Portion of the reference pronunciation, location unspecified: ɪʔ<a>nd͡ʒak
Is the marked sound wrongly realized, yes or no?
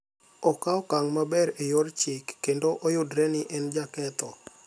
yes